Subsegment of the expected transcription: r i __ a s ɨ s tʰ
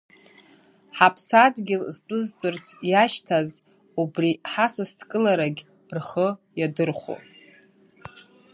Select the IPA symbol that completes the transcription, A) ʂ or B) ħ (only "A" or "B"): B